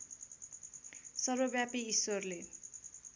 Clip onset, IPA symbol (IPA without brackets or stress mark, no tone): s